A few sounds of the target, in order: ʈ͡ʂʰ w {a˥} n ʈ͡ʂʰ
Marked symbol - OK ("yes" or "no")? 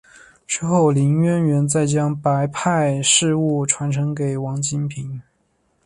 no